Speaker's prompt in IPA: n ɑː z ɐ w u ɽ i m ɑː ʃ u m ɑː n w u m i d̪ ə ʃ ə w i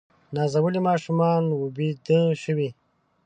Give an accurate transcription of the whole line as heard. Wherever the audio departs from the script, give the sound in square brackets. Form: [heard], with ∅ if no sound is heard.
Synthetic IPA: n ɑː z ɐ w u [l] i m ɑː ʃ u m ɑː n w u [b] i d̪ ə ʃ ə w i

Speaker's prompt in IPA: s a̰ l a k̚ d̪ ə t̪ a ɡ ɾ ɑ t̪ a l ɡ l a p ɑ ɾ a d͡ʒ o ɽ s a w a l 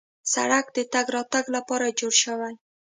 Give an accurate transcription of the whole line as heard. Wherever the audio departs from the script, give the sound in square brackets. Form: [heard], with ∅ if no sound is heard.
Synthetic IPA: s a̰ [ɽ] a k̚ d̪ ə t̪ a ɡ ɾ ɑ t̪ a [∅] ɡ l a p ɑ ɾ a d͡ʒ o ɽ [ʃ] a w a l

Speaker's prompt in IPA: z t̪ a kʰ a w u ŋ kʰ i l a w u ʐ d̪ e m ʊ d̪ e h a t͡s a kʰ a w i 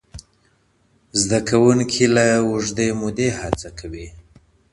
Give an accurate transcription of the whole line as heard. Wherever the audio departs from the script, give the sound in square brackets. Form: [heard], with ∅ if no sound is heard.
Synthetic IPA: z [d̪] a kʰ a w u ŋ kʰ i l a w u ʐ d̪ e m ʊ d̪ e h a t͡s a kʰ a w i

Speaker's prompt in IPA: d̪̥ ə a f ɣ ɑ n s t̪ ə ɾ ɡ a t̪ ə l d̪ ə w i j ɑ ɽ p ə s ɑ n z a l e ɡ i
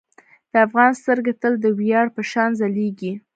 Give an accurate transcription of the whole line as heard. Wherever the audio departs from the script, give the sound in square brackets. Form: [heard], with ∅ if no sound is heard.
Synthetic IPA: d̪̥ ə a f ɣ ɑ n s t̪ ə ɾ ɡ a t̪ ə l d̪ ə w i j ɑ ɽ p ə [ʃ] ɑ n z a l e ɡ i

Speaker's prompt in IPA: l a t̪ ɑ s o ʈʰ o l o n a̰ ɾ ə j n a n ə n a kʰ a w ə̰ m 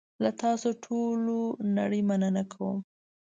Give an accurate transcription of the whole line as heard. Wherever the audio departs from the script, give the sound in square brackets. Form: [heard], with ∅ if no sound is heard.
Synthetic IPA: l a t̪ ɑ s o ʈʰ o l o n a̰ [ɽ] ə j [m] a n ə n a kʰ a w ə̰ m

